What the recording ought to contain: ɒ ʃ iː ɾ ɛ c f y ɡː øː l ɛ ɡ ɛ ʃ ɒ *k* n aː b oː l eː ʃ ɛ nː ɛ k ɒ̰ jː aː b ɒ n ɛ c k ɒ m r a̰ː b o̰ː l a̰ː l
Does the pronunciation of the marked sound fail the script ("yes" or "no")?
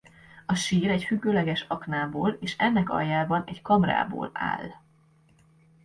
no